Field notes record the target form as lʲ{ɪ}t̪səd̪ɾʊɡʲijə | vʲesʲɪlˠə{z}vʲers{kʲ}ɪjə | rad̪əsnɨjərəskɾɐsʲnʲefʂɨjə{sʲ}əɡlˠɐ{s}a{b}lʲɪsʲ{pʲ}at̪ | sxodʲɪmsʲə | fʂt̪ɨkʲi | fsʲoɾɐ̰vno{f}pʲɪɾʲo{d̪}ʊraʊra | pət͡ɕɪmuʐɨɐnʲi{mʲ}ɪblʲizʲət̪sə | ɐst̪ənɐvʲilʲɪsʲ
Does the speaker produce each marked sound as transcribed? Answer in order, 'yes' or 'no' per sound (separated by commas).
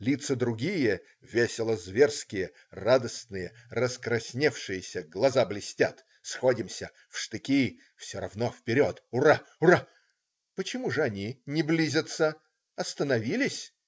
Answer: no, yes, yes, yes, no, yes, no, yes, no, no